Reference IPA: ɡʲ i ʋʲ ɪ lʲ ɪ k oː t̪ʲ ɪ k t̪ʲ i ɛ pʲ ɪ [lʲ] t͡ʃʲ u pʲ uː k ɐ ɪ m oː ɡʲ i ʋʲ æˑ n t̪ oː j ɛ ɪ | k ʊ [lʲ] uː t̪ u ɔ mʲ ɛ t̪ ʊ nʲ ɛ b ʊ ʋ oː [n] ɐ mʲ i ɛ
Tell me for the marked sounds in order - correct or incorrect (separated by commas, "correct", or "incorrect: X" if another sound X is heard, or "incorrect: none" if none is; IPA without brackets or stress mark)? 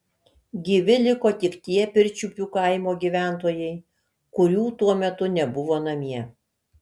incorrect: ɾʲ, incorrect: ɾʲ, correct